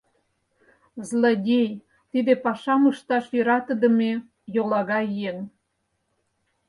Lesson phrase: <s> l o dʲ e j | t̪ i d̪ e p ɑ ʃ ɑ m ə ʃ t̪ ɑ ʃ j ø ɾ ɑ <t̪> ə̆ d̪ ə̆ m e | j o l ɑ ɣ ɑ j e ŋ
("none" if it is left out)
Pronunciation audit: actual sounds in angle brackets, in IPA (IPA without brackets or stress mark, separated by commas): z, t̪